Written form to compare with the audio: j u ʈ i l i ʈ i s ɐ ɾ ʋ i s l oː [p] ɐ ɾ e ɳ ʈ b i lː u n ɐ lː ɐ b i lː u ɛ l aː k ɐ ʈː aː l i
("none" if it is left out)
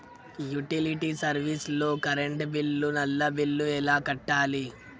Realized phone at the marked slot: k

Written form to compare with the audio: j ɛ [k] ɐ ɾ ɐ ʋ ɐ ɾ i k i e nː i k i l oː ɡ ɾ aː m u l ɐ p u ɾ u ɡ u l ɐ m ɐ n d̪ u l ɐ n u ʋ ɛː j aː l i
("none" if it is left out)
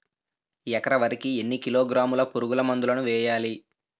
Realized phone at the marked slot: k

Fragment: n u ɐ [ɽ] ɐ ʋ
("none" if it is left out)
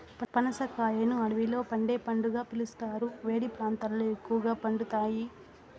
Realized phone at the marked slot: ɽ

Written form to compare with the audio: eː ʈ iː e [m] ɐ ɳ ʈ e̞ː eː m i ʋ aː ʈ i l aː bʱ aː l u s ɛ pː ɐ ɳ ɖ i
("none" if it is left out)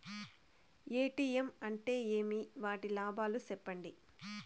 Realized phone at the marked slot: m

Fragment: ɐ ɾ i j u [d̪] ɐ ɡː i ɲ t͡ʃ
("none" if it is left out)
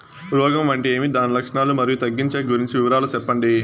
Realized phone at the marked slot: t̪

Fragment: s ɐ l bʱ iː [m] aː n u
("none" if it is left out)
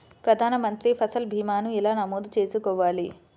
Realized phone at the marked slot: m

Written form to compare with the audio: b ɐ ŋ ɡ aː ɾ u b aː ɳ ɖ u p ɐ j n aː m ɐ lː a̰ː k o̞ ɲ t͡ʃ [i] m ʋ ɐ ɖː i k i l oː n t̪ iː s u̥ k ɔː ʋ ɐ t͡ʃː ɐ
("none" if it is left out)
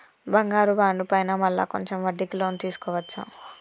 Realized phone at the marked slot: e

